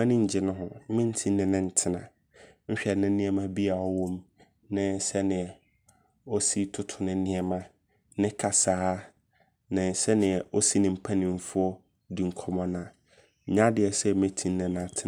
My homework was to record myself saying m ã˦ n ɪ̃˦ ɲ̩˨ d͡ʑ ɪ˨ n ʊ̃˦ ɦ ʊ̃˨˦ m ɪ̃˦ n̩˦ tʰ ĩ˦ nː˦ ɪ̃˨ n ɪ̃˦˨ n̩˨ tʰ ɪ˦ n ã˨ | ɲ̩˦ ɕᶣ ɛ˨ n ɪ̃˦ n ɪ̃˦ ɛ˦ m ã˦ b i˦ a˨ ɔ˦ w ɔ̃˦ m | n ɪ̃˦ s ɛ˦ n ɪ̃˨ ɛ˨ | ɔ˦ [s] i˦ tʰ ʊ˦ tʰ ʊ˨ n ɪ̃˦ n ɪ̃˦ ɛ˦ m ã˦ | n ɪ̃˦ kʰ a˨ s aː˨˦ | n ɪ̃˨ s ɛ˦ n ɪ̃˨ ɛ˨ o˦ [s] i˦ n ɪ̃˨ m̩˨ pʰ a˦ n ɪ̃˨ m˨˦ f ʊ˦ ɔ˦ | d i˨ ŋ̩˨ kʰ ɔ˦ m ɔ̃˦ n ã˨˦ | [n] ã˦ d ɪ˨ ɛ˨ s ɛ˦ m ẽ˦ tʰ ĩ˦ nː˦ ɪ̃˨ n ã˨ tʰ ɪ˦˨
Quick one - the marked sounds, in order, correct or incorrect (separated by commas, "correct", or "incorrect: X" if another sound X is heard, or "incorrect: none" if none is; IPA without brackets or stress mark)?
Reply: correct, correct, incorrect: ɲ